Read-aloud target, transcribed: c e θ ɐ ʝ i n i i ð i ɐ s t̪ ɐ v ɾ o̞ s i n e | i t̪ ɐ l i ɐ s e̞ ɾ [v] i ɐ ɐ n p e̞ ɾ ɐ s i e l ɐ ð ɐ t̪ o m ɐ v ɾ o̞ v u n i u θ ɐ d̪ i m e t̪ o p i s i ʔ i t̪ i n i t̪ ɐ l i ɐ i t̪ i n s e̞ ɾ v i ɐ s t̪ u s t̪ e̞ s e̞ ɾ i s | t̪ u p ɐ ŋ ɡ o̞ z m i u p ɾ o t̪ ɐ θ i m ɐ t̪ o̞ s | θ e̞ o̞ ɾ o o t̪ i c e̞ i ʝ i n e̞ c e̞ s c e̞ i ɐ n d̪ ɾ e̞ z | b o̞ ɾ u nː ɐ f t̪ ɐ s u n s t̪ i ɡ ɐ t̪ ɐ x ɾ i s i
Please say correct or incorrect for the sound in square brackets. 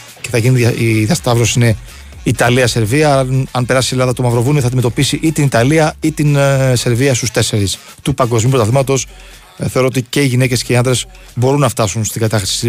correct